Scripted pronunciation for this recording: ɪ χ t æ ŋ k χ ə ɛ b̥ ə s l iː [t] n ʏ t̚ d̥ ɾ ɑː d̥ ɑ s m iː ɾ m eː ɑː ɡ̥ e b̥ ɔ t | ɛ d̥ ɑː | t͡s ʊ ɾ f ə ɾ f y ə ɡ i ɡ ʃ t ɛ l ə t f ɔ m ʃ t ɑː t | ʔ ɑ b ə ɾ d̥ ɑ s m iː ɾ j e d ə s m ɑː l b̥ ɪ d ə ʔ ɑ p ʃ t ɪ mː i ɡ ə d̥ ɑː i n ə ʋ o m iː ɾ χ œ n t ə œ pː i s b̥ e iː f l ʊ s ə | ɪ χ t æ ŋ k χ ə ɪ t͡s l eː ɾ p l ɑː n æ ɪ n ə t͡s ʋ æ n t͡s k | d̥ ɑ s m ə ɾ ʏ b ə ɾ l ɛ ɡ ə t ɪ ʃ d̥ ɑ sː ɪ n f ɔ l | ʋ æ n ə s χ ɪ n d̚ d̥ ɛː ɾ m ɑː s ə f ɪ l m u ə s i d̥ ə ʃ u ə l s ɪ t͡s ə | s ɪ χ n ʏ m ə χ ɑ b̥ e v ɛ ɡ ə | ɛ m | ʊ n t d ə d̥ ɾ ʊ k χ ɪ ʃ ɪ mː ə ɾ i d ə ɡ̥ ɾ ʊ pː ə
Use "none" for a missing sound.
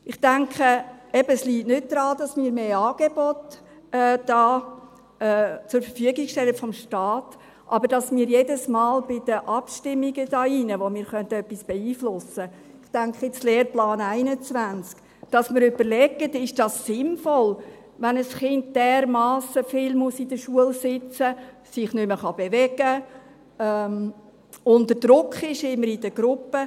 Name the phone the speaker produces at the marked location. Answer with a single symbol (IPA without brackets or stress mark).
t